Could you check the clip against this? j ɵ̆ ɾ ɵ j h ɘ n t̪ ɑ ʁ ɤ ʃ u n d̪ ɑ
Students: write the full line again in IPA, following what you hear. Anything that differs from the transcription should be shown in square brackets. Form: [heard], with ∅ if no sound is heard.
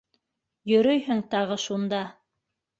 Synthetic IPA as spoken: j ɵ̆ ɾ ɵ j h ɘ [ŋ] t̪ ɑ ʁ ɤ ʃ u n d̪ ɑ